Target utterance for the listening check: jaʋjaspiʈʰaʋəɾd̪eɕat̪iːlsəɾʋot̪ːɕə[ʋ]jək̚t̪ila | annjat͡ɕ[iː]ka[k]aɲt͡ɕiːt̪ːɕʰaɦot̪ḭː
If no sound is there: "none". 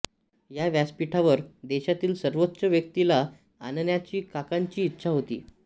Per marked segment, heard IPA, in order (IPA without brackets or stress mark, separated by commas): ʋ, iː, k